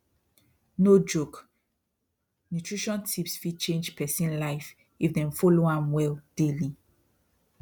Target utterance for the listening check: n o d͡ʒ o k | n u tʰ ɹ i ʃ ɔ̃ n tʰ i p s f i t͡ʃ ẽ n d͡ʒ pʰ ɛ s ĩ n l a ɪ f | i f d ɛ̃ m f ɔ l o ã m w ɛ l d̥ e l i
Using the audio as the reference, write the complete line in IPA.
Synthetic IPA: n o d͡ʒ o k | n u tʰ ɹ i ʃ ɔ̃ n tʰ i p s f i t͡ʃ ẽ n d͡ʒ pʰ ɛ s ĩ n l a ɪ f | i f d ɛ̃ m f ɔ l o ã m w ɛ l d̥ e l i